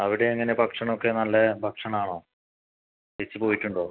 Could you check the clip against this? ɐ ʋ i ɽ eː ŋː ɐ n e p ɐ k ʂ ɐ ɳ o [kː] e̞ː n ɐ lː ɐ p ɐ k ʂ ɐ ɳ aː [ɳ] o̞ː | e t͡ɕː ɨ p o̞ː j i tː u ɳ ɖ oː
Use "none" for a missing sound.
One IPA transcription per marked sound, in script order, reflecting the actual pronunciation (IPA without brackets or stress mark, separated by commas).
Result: kː, ɳ